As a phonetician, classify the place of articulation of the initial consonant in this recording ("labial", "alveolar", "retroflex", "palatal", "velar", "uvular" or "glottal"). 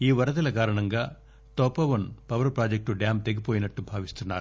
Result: labial